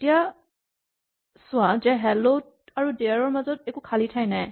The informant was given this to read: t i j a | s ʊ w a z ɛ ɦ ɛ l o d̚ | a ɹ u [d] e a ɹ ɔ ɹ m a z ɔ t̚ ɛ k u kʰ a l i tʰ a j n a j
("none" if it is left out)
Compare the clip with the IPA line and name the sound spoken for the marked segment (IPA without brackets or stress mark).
d